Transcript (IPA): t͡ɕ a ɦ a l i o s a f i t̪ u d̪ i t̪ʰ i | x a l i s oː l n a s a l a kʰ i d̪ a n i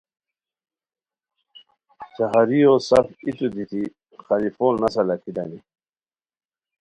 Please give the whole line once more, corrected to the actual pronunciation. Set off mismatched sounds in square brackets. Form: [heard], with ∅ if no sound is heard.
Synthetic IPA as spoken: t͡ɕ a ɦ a [ɾ] i o s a f i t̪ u d̪ i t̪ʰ i | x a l i [f] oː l n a s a l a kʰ i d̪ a n i